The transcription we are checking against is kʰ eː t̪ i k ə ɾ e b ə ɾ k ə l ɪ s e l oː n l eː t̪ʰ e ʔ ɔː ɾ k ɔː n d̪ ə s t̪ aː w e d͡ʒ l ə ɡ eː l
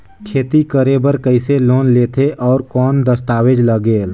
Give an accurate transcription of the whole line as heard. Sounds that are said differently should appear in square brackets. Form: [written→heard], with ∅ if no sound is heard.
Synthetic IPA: kʰ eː t̪ i k ə ɾ e b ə ɾ k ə [l→∅] ɪ s e l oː n l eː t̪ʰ e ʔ ɔː ɾ k ɔː n d̪ ə s t̪ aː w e d͡ʒ l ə ɡ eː l